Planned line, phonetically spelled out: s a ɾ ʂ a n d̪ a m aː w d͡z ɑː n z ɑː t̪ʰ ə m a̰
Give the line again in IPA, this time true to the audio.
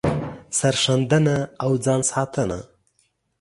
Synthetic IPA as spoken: s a ɾ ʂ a n d̪ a n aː w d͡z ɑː n s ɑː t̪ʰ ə n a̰